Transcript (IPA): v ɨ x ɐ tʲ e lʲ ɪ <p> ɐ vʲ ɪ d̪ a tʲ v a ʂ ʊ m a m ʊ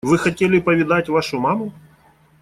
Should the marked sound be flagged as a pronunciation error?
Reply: no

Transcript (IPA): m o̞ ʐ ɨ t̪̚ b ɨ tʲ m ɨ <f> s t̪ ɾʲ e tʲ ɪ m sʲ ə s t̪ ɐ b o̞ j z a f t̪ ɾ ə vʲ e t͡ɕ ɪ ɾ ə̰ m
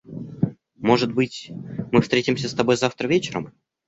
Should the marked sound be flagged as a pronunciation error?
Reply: no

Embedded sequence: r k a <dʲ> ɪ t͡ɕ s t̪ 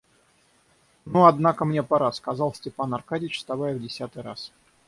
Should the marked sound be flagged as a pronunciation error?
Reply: no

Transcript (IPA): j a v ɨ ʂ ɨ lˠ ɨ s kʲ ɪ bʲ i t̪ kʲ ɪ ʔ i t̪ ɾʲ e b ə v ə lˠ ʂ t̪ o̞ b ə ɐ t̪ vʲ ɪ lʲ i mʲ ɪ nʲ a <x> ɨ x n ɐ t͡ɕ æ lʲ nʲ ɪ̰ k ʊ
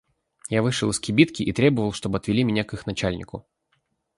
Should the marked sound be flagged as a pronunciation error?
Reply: yes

